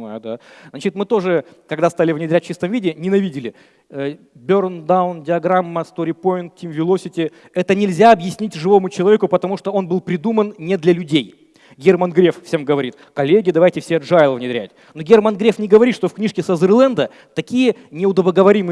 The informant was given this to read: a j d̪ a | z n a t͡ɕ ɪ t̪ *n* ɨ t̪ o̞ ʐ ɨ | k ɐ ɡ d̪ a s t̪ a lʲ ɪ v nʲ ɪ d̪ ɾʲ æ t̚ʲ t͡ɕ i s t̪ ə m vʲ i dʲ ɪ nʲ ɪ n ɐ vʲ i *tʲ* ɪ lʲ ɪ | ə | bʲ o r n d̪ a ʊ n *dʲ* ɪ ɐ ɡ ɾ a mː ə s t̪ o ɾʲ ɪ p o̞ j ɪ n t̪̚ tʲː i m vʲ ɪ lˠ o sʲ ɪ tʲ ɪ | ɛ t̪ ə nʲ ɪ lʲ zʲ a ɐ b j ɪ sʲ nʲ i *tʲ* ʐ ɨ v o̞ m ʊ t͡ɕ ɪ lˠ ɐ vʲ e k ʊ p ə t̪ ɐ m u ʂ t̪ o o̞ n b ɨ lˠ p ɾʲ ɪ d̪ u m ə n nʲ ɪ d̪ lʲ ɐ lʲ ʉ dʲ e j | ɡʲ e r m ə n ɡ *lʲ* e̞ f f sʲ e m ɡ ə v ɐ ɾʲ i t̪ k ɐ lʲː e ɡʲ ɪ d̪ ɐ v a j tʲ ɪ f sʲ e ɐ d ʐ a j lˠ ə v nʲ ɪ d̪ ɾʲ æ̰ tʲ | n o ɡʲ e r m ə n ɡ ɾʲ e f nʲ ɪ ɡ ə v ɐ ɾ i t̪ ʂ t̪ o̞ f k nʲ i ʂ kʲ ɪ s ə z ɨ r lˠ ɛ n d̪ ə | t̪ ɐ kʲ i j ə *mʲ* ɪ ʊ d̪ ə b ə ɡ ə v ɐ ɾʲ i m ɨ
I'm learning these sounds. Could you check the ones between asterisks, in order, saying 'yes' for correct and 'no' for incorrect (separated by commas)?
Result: no, no, yes, yes, no, no